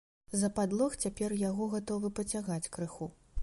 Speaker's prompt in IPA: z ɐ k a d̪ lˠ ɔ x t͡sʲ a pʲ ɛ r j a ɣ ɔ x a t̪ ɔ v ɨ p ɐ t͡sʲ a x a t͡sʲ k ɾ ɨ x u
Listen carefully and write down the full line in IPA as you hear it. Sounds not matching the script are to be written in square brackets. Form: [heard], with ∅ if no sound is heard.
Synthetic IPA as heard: z ɐ [p] a d̪ lˠ ɔ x t͡sʲ a pʲ ɛ r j a ɣ ɔ [ɣ] a t̪ ɔ v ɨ p ɐ t͡sʲ a [ɣ] a t͡sʲ k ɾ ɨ x u